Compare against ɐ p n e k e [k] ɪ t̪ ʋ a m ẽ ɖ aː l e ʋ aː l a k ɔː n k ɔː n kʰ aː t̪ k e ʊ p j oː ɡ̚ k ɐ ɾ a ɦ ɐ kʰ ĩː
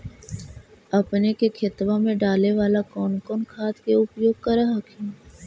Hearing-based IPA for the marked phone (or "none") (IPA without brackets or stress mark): kʰ